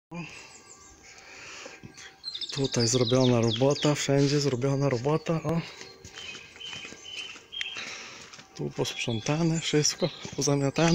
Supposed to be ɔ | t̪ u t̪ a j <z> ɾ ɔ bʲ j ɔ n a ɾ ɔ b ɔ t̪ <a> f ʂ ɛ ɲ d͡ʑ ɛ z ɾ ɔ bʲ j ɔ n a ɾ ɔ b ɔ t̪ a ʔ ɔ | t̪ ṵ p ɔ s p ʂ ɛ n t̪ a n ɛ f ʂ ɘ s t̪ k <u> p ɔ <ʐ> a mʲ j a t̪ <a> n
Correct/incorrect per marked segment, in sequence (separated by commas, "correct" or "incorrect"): correct, correct, incorrect, incorrect, correct